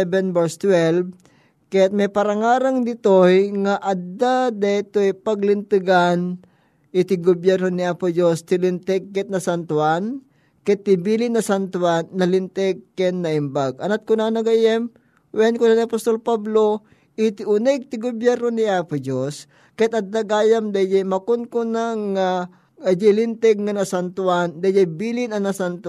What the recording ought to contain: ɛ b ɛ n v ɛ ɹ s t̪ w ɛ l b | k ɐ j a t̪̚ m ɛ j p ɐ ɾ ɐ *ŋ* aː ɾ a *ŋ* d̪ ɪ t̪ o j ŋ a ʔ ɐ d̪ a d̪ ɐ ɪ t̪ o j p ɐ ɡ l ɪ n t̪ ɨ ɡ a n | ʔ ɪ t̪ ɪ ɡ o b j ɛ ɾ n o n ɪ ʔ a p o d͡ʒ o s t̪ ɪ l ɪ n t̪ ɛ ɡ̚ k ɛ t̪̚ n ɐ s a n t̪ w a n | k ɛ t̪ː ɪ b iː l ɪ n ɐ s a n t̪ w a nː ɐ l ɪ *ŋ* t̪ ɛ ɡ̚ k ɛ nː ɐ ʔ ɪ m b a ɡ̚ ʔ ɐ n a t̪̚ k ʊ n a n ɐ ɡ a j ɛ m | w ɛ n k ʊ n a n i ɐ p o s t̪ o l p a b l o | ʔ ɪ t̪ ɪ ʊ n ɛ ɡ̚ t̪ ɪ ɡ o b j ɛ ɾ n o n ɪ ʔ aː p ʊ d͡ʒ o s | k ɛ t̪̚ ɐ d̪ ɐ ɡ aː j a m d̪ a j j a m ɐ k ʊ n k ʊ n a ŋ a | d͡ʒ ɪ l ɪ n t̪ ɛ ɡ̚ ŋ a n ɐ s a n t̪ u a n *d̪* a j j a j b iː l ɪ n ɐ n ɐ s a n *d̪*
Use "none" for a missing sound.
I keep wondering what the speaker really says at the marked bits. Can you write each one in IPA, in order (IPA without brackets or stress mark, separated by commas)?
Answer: ŋ, ŋ, n, d̪, t̪